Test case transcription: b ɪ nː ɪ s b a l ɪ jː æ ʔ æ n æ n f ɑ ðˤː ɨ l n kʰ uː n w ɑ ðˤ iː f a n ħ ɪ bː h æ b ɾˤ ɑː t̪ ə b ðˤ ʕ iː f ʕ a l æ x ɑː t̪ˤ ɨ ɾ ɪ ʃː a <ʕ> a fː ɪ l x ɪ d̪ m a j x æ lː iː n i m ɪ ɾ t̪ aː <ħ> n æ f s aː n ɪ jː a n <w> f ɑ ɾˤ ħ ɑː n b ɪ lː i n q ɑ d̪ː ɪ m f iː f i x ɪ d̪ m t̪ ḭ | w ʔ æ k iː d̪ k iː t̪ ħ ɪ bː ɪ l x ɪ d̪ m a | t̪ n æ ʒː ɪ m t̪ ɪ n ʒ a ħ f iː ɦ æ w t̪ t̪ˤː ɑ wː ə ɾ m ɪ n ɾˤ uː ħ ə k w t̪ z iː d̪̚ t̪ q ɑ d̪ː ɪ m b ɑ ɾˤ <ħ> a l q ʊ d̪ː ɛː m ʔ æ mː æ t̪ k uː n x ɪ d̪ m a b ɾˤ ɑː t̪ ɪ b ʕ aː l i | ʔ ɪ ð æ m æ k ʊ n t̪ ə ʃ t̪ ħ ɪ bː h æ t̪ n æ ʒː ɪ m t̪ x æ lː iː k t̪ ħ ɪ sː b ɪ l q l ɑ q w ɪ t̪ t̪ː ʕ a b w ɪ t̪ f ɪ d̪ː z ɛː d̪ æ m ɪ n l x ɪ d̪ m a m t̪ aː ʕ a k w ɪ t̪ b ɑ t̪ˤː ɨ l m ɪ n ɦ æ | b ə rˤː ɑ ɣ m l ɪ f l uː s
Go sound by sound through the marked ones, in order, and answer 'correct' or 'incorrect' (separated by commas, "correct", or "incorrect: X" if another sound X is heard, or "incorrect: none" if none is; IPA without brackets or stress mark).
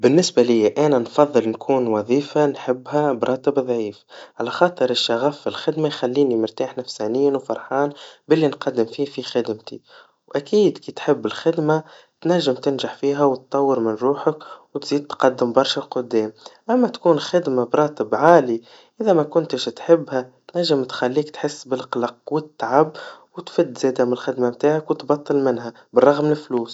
incorrect: ɣ, correct, correct, incorrect: ʃ